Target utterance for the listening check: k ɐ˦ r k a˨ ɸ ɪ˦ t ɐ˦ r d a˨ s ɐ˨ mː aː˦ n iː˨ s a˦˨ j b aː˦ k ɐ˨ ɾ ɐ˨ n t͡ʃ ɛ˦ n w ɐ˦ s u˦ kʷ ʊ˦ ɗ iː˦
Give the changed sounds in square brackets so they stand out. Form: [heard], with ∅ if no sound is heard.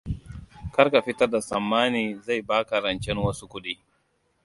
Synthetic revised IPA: k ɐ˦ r k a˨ ɸ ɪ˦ t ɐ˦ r d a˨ s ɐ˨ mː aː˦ n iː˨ [z] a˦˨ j b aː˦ k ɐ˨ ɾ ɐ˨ n t͡ʃ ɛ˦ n w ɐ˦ s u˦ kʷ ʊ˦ ɗ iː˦